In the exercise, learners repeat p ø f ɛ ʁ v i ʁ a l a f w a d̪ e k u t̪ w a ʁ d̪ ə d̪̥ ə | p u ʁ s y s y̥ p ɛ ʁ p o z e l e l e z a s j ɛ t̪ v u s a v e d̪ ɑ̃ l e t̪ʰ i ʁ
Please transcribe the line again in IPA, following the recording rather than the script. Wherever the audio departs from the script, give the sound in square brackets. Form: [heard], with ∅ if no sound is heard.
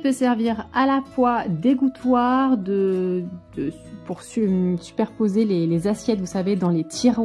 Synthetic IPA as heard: p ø [s] ɛ ʁ v i ʁ a l a f w a d̪ e [ɡ] u t̪ w a ʁ d̪ ə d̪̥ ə | p u ʁ s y s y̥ p ɛ ʁ p o z e l e l e z a s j ɛ t̪ v u s a v e d̪ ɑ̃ l e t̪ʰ i ʁ